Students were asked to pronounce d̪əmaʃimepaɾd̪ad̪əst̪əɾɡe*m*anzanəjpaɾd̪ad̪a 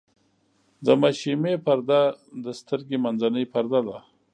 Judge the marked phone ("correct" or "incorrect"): correct